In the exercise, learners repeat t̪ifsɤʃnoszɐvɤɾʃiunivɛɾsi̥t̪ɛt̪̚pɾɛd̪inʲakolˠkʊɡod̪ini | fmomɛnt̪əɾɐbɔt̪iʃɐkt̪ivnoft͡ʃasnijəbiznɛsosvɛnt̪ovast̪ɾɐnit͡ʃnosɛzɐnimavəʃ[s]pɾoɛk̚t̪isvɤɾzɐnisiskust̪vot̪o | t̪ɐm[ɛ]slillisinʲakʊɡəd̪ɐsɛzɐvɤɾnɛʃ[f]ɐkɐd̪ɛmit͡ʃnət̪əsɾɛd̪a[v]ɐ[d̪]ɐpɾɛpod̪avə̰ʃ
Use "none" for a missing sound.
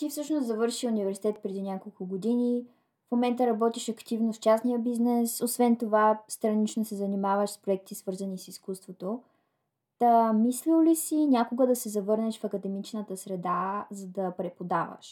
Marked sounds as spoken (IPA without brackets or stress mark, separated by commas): s, i, f, z, d̪